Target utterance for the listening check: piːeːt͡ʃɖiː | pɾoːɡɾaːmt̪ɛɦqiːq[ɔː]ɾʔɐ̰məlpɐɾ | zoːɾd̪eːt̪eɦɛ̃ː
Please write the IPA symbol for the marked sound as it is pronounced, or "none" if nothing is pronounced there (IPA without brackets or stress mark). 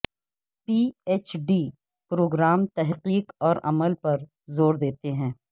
ɔː